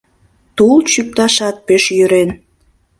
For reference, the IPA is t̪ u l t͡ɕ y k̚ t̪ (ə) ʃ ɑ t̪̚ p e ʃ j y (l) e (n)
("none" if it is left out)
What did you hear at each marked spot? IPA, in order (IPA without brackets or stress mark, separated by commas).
ɑ, ɾ, n